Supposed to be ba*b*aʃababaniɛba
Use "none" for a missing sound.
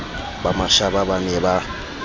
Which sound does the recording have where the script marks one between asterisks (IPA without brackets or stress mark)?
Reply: m